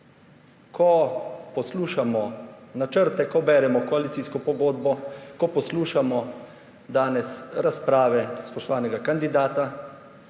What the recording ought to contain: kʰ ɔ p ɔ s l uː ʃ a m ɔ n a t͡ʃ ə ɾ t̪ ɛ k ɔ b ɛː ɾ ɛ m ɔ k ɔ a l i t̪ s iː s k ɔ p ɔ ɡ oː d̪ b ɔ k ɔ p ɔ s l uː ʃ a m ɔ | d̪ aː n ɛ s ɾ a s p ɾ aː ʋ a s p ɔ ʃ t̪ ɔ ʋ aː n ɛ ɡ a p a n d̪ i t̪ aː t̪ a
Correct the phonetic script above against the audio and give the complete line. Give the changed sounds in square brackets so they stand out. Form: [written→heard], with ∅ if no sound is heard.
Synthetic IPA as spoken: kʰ ɔ p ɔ s l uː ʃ a m ɔ n a t͡ʃ ə ɾ t̪ ɛ k ɔ b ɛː ɾ ɛ m ɔ k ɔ a l i t̪ s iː s k ɔ p ɔ ɡ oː d̪ b ɔ k ɔ p ɔ s l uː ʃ a m ɔ | d̪ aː n ɛ s ɾ a s p ɾ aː ʋ [a→ɛ] s p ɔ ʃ t̪ ɔ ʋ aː n ɛ ɡ a [p→k] a n d̪ i [t̪→d̪] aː t̪ a